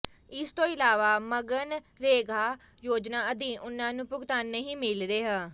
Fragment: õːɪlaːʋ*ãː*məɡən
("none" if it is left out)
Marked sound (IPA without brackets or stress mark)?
aː